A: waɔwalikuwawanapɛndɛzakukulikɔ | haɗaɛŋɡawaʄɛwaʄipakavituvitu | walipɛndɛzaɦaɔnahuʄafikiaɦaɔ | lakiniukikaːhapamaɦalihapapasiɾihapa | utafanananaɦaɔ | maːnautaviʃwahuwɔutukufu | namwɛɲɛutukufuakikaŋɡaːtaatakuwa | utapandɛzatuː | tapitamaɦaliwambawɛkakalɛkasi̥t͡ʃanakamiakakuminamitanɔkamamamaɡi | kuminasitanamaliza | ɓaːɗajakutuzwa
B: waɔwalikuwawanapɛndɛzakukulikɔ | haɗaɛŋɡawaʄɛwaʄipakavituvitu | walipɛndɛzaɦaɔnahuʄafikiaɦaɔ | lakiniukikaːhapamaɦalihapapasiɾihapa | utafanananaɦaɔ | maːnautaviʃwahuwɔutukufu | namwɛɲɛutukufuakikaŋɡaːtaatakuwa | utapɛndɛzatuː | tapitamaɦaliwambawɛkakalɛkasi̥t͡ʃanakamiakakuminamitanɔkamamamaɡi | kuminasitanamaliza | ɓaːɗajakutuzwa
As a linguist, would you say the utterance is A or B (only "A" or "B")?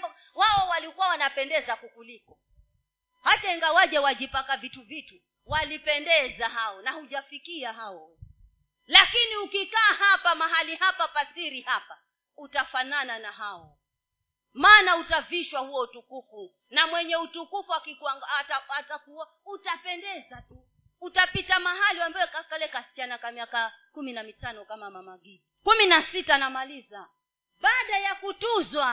B